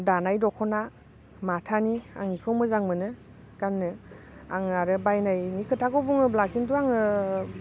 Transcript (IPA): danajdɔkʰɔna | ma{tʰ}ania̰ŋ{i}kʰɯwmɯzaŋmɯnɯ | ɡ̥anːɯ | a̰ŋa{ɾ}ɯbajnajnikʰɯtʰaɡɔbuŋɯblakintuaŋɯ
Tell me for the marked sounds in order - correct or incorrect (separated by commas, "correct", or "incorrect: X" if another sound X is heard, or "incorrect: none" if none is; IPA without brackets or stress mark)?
correct, correct, correct